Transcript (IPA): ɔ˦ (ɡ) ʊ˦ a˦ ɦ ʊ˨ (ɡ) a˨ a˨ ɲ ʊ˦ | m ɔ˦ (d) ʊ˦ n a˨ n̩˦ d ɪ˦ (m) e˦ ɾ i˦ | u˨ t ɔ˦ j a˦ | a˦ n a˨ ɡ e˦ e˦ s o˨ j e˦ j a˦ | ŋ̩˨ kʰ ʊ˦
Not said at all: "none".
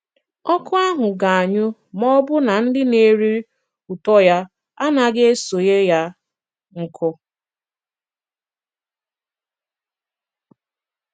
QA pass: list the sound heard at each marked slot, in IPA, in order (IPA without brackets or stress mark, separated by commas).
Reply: k, ɡ, b, n